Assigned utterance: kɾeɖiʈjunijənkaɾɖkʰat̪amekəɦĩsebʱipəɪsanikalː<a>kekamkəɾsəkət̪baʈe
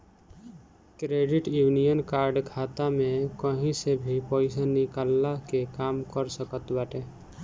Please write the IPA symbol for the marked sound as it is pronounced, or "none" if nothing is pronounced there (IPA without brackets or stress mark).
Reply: a